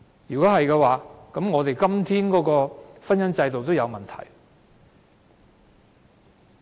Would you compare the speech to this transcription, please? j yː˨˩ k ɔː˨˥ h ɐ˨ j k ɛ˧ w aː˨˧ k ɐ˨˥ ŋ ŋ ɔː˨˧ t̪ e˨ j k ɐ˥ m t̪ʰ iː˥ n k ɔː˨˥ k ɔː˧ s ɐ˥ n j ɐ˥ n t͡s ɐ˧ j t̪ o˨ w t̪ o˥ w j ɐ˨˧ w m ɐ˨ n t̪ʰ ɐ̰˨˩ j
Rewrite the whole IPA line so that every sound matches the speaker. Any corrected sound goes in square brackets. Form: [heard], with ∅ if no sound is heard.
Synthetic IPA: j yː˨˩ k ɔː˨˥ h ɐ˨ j k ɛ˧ w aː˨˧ k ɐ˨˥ [m] ŋ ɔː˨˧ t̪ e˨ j k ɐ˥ m t̪ʰ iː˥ n k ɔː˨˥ k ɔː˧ [f] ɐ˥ n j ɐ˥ n t͡s ɐ˧ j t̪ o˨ w t̪ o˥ w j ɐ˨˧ w m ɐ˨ n t̪ʰ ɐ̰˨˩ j

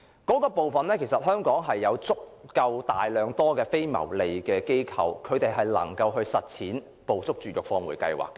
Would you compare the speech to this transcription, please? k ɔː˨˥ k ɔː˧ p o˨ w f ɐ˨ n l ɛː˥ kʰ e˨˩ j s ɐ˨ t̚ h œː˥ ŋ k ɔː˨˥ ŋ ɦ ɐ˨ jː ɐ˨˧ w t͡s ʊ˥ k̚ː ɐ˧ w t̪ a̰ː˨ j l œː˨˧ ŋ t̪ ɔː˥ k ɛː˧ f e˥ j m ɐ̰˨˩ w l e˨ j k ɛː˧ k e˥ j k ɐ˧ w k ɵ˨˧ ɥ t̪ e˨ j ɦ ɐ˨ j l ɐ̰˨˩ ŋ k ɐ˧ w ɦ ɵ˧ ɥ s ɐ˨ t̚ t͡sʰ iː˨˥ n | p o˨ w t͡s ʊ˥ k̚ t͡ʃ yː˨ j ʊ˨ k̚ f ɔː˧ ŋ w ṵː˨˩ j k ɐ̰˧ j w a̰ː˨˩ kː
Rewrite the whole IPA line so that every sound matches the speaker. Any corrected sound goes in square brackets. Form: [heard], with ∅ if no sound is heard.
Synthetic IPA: k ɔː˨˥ k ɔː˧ p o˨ w f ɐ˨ n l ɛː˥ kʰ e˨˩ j s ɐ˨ t̚ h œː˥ ŋ k ɔː˨˥ ŋ ɦ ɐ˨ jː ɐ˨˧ w t͡s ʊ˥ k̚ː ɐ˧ w t̪ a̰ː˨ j l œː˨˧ ŋ t̪ ɔː˥ k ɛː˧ f e˥ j m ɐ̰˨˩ w l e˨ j k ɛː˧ k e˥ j [kʰ] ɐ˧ w [kʰ] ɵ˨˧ ɥ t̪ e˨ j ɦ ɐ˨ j l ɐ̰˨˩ ŋ k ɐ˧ w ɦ ɵ˧ ɥ s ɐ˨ t̚ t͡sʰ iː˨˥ n | p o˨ w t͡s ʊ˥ k̚ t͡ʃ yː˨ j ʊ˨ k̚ f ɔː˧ ŋ w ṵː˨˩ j k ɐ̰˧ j w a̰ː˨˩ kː

